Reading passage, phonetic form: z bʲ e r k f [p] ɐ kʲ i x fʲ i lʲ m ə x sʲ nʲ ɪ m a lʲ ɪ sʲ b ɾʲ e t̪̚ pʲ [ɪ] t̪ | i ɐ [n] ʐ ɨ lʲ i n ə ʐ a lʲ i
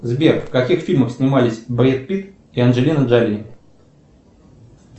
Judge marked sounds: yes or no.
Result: no, no, yes

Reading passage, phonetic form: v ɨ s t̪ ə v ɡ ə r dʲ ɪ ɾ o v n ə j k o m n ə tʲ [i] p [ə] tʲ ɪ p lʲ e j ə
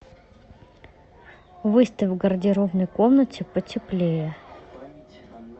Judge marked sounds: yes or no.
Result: no, yes

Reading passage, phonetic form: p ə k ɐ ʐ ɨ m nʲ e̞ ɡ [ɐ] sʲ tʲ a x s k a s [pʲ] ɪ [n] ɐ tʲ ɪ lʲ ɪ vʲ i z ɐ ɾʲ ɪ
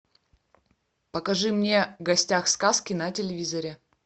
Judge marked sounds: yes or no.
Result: yes, no, yes

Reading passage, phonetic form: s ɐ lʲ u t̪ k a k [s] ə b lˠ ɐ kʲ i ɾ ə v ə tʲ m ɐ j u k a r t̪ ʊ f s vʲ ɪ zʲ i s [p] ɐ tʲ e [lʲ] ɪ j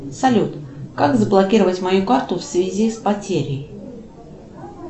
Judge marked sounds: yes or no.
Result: no, yes, no

